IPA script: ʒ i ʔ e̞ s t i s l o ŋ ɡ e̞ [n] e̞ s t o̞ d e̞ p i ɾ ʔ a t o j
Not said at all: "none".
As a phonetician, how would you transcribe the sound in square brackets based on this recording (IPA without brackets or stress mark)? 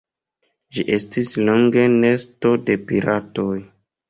n